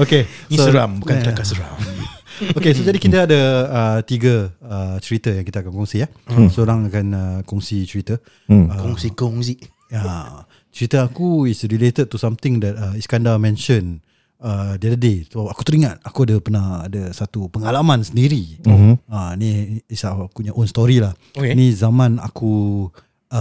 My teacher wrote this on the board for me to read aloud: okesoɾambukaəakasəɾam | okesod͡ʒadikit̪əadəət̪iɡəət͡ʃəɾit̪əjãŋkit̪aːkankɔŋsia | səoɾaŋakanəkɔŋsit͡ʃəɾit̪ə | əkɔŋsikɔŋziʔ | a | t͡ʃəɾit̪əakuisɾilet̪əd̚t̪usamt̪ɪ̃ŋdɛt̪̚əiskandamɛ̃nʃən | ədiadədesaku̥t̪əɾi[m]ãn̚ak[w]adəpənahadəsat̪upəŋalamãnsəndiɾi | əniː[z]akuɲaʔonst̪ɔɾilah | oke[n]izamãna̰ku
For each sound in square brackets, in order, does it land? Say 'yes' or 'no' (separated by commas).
no, no, no, yes